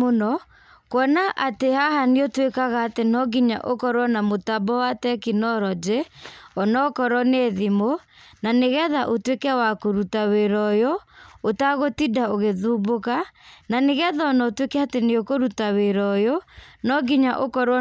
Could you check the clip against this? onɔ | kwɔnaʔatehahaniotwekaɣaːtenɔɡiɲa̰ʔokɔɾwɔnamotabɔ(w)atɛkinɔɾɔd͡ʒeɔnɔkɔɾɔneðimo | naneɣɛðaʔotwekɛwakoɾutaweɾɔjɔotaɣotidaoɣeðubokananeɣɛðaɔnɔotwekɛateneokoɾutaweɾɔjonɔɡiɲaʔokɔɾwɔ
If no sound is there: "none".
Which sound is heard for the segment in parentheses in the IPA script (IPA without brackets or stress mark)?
w